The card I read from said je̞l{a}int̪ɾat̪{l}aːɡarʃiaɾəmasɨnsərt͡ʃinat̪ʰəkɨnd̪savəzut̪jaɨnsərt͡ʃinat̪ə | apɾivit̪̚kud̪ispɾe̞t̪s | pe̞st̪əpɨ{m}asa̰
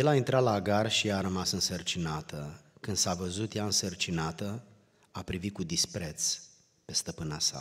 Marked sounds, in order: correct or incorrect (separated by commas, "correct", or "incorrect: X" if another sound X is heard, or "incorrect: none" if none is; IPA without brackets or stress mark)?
correct, correct, incorrect: n